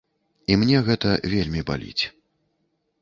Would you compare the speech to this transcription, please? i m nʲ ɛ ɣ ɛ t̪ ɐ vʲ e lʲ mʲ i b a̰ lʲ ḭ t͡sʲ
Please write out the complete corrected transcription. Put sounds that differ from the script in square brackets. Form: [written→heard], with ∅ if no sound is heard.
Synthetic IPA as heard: i m nʲ ɛ ɣ ɛ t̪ ɐ vʲ e lʲ mʲ i b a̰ lʲ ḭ t͡sʲ

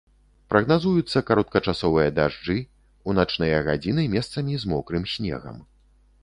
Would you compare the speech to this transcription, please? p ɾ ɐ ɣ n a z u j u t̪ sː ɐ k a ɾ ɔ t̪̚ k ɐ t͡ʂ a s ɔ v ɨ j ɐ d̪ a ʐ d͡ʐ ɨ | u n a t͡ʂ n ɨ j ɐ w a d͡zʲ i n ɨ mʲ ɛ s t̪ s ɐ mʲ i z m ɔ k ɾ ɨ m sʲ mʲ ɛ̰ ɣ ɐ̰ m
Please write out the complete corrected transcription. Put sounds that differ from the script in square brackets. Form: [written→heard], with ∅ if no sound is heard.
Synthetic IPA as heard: p ɾ ɐ ɣ n a z u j u t̪ sː ɐ k a ɾ ɔ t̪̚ k ɐ t͡ʂ a s ɔ v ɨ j ɐ d̪ a ʐ d͡ʐ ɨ | u n a t͡ʂ n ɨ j ɐ [w→ɣ] a d͡zʲ i n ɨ mʲ ɛ s t̪ s ɐ mʲ i z m ɔ k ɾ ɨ m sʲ [mʲ→nʲ] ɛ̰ ɣ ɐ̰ m

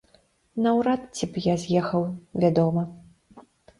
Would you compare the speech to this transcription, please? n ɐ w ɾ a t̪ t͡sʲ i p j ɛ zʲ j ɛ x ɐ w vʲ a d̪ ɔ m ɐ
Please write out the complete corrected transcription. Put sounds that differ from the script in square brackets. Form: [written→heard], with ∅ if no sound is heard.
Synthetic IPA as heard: n ɐ w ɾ a t̪ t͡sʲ i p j [ɛ→a] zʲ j ɛ x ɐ w vʲ a d̪ ɔ m ɐ

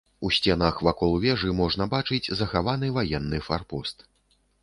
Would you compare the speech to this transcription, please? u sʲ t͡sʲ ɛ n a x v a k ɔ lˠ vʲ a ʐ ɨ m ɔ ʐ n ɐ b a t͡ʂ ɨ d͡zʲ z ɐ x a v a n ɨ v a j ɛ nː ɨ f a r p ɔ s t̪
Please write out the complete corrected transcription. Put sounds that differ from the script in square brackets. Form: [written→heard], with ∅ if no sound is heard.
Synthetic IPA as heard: u sʲ t͡sʲ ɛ n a x v a k ɔ lˠ vʲ [a→ɛ] ʐ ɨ m ɔ ʐ n ɐ b a t͡ʂ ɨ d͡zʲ z ɐ x a v a n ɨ v a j ɛ nː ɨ f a r p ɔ s t̪

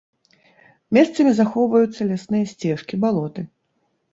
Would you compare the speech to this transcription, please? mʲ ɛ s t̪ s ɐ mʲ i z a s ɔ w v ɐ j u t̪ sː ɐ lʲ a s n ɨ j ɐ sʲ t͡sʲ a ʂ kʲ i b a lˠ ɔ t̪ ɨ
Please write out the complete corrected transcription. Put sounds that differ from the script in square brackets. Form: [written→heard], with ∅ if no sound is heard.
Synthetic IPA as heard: mʲ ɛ s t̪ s ɐ mʲ i z a [s→x] ɔ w v ɐ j u t̪ sː ɐ lʲ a s n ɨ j ɐ sʲ t͡sʲ [a→ɛ] ʂ kʲ i b a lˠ ɔ t̪ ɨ

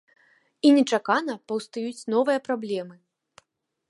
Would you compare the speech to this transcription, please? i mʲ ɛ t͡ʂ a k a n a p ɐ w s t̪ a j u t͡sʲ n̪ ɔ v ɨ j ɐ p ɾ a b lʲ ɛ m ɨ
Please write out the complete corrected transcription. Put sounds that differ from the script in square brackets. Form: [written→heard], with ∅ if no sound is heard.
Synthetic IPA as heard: i [mʲ→nʲ] ɛ t͡ʂ a k a n [a→ɐ] p ɐ w s t̪ a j u t͡sʲ n̪ ɔ v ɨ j ɐ p ɾ a b lʲ ɛ m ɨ

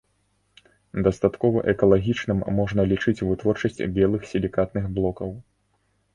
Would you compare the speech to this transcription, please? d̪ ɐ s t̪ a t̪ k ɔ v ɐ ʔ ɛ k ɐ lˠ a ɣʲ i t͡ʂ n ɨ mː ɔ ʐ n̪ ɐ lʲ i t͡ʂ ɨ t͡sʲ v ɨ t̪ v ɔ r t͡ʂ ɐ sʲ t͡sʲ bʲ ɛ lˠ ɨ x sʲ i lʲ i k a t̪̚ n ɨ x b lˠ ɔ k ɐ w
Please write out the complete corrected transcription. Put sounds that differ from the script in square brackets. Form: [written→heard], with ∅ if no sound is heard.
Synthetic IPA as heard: d̪ ɐ s t̪ a t̪ k ɔ v ɐ ʔ ɛ k ɐ lˠ a ɣʲ i t͡ʂ n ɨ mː ɔ ʐ n̪ ɐ lʲ i t͡ʂ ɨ t͡sʲ v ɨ t̪ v ɔ r t͡ʂ ɐ sʲ t͡sʲ bʲ ɛ lˠ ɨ x sʲ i lʲ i k a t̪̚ n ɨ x b lˠ ɔ k ɐ w

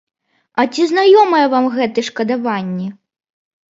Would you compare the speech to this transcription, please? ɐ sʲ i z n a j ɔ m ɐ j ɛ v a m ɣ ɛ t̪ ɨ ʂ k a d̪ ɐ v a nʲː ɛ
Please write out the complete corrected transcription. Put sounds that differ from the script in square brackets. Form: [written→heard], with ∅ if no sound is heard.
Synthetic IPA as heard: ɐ [sʲ→t͡sʲ] i z n a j ɔ m ɐ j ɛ v a m ɣ ɛ t̪ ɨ ʂ k [a→ɐ] d̪ [ɐ→a] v a nʲː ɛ

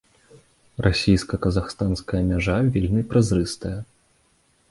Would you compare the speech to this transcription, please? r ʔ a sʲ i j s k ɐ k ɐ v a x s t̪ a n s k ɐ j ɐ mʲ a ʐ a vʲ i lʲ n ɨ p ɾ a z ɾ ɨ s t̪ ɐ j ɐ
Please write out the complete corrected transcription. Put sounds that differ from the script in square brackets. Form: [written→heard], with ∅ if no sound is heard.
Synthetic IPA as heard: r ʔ a sʲ i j s k ɐ k ɐ [v→z] a x s t̪ a n s k ɐ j ɐ mʲ a ʐ a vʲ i lʲ n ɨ p ɾ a z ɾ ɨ s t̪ ɐ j ɐ

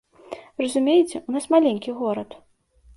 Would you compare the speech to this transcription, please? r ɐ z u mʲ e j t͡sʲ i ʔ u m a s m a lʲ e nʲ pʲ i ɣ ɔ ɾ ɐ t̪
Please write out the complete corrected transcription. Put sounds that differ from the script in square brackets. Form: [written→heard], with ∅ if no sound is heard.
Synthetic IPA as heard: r ɐ z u mʲ e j t͡sʲ [i→ɛ] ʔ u [m→n] a s m a lʲ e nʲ [pʲ→kʲ] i ɣ ɔ ɾ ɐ t̪

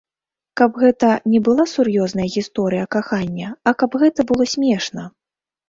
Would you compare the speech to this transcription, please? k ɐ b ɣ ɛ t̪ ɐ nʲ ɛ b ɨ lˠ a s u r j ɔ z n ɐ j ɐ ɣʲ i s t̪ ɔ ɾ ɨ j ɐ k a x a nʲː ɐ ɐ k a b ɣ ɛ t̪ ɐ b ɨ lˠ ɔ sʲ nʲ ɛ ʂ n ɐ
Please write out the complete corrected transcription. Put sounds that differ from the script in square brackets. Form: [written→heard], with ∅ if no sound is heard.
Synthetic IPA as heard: k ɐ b ɣ ɛ t̪ ɐ nʲ ɛ b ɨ lˠ a s u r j ɔ z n ɐ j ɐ ɣʲ i s t̪ ɔ ɾ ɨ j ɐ k a x a nʲː ɐ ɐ k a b ɣ ɛ t̪ ɐ b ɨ lˠ ɔ sʲ [nʲ→mʲ] ɛ ʂ n ɐ

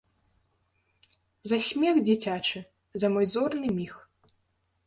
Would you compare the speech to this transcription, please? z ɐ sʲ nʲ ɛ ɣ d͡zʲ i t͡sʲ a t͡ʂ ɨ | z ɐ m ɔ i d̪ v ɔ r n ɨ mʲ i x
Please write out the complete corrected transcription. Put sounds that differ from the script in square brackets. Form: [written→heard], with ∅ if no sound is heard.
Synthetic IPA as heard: z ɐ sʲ [nʲ→mʲ] ɛ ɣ d͡zʲ i t͡sʲ a t͡ʂ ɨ | z ɐ m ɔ [i→j] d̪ [v→z] ɔ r n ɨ mʲ i x

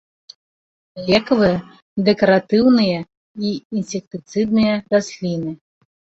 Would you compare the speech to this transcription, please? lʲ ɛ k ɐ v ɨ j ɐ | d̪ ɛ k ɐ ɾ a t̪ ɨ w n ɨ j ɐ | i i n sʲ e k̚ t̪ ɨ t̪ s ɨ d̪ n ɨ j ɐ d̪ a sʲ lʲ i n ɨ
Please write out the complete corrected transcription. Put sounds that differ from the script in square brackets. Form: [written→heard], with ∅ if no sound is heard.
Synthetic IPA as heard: lʲ ɛ k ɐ v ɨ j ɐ | d̪ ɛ k ɐ ɾ a t̪ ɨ w n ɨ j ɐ | i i n sʲ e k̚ t̪ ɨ t̪ s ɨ d̪ n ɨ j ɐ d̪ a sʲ lʲ i n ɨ

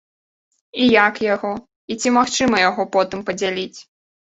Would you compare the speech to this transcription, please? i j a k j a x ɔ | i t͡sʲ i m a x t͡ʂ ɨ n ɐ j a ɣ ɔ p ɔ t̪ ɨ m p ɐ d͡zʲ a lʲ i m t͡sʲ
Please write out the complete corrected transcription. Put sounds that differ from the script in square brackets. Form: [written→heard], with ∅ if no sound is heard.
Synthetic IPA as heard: i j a k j a [x→ɣ] ɔ | i t͡sʲ i m a x t͡ʂ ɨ [n→m] ɐ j a ɣ ɔ p ɔ t̪ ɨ m p ɐ d͡zʲ a lʲ i [m→∅] t͡sʲ

